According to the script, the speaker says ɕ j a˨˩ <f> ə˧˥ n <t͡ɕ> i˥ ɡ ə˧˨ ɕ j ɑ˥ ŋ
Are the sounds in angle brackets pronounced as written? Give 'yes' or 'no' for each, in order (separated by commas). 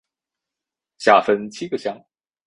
yes, no